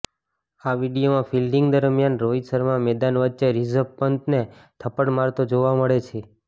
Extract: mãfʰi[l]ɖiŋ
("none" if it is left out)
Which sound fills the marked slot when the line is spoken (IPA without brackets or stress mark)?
l